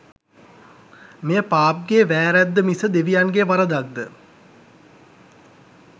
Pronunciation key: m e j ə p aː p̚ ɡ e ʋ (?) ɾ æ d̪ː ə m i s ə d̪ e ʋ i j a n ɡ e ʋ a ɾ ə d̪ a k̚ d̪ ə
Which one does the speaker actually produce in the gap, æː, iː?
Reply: æː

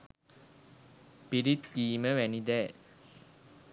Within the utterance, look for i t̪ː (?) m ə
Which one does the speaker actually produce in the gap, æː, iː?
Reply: iː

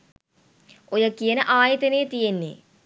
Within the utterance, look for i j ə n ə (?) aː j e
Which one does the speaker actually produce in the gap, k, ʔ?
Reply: ʔ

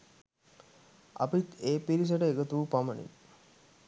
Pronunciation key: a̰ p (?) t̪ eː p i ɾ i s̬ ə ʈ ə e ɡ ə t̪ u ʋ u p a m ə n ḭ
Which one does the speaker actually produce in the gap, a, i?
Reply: i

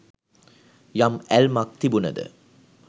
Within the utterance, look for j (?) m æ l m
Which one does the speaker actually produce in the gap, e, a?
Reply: a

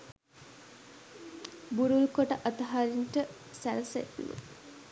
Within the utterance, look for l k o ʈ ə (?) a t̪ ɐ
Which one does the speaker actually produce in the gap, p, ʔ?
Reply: ʔ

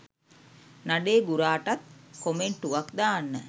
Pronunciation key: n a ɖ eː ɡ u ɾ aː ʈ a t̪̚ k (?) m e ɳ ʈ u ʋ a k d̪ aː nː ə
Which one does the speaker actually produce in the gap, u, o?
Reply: o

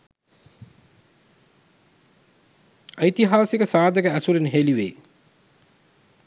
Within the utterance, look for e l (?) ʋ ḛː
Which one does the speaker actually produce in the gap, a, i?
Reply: i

